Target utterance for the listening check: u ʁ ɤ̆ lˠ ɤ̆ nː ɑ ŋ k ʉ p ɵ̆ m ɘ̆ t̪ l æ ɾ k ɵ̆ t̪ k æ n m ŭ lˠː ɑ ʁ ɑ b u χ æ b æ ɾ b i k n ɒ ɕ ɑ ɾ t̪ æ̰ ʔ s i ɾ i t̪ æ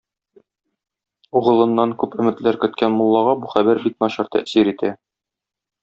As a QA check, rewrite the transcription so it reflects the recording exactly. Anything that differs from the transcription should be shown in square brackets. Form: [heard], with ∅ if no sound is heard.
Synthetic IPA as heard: u ʁ ɤ̆ lˠ ɤ̆ nː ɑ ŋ k ʉ p ɵ̆ m ɘ̆ t̪ l æ ɾ k ɵ̆ t̪ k æ n m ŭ lˠː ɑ ʁ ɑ b u χ æ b æ ɾ b i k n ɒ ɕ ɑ ɾ t̪ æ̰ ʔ s i ɾ i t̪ æ